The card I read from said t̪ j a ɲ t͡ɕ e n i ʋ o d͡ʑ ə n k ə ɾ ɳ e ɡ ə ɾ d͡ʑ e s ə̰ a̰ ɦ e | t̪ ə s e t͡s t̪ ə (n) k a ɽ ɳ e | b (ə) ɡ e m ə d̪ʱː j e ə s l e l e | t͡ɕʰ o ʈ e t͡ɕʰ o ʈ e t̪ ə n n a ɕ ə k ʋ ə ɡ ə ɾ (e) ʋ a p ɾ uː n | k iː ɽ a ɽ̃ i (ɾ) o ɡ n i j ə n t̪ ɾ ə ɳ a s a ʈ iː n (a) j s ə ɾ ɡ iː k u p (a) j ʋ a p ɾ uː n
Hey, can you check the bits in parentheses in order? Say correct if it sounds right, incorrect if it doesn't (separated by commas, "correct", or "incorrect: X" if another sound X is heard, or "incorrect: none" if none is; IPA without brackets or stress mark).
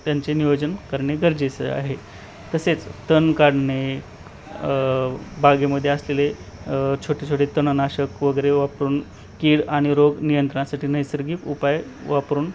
correct, incorrect: a, correct, correct, incorrect: ə, correct